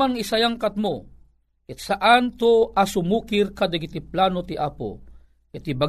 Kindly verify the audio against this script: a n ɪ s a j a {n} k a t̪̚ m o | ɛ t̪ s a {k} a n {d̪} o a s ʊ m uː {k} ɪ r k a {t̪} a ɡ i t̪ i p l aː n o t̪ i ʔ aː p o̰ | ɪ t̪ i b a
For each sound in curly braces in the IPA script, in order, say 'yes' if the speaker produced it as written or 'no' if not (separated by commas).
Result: no, no, no, yes, no